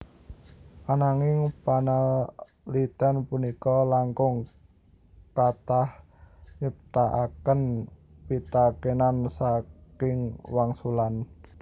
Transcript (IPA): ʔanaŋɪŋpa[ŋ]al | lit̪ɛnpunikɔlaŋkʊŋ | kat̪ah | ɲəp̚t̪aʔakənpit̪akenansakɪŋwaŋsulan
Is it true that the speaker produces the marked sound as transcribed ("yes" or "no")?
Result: no